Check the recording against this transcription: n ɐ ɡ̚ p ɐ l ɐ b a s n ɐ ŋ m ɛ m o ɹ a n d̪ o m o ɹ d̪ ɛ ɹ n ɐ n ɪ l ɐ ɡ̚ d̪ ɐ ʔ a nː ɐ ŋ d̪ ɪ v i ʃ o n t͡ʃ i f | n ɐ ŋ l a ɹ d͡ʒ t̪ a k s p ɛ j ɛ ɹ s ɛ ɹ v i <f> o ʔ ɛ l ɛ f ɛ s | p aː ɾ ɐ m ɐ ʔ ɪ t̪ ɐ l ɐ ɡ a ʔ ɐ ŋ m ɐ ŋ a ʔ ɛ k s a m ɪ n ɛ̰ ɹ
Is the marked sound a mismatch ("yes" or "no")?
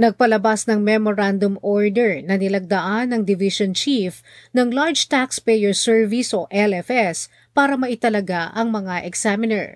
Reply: yes